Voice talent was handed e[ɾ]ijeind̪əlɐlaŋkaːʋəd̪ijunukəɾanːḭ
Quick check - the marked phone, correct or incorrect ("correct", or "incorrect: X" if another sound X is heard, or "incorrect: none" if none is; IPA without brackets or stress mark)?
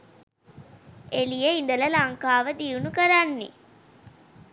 incorrect: l